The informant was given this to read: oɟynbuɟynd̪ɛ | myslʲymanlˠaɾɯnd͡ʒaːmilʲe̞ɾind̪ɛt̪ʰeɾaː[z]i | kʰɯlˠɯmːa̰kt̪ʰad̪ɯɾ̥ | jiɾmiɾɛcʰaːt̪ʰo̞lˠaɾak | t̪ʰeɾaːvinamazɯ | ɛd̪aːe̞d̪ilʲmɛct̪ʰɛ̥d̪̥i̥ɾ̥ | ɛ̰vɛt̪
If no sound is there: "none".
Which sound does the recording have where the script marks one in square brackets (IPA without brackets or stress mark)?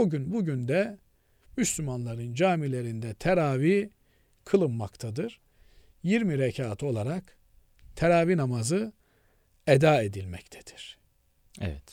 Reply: v